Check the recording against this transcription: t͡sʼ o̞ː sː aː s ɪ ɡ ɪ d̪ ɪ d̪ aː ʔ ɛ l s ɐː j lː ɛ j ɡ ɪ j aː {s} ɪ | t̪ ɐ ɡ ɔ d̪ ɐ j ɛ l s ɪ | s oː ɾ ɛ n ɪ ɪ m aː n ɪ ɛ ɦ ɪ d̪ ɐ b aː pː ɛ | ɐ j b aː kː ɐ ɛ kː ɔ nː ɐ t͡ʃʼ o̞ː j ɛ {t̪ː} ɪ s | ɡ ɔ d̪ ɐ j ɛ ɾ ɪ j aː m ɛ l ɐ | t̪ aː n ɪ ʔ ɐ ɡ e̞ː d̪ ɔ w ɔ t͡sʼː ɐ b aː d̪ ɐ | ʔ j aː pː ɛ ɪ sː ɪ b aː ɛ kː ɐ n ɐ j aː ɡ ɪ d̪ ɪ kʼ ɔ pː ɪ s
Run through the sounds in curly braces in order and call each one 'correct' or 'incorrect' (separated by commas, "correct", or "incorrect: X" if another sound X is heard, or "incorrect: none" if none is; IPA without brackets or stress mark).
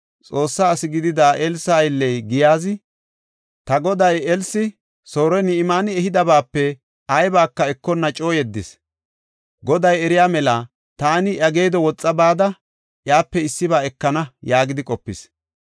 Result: incorrect: z, incorrect: d̪ː